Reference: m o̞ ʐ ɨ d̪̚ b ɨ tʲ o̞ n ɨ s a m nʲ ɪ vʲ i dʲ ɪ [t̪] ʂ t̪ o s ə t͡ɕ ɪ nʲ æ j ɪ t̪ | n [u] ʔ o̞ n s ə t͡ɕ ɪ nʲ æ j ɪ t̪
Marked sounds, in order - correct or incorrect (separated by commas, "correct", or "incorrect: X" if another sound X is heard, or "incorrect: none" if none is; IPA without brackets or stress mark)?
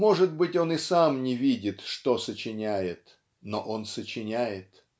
correct, incorrect: o